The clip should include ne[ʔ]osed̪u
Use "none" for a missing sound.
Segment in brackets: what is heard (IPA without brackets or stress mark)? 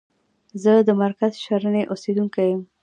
ʔ